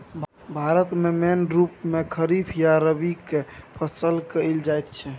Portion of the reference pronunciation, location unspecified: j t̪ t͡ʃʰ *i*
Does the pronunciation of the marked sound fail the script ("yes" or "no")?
yes